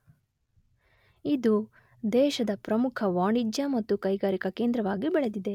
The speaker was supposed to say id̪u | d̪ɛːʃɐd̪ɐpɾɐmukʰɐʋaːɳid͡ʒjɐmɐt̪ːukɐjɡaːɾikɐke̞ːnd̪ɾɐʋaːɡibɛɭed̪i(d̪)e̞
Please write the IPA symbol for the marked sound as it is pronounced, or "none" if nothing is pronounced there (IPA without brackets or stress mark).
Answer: d̪